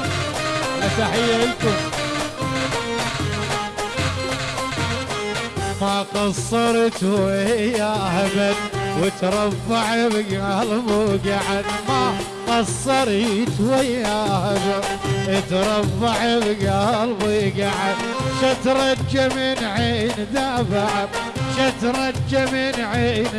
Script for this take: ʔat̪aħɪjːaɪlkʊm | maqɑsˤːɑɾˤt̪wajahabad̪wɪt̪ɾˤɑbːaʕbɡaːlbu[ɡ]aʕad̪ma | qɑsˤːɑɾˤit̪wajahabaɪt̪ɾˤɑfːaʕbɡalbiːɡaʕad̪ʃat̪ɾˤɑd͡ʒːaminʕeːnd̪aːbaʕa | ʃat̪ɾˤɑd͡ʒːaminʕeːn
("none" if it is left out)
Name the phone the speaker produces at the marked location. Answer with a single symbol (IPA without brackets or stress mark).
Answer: ɡ